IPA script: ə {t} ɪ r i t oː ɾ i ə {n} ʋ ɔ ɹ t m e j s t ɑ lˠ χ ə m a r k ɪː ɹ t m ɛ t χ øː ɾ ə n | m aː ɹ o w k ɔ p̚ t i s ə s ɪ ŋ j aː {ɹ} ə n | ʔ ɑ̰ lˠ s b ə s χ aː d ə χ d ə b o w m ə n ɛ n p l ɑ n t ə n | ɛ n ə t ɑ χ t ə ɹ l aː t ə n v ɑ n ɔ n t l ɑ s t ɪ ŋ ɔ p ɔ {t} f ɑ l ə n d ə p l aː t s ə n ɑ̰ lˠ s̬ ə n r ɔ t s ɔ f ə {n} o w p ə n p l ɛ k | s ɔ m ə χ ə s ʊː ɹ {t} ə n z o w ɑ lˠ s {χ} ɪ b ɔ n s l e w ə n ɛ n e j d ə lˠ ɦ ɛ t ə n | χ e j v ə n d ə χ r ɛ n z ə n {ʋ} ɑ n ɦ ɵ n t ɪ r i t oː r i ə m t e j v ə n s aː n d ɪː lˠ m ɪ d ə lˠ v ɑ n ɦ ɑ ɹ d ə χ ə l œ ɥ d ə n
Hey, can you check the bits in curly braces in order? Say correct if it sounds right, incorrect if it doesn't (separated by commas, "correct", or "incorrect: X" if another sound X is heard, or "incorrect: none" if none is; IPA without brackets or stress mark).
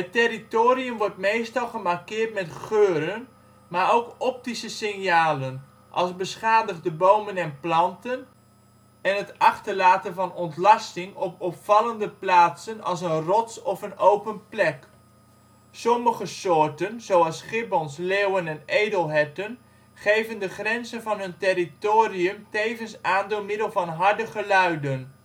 correct, incorrect: m, incorrect: l, incorrect: p, correct, correct, correct, incorrect: v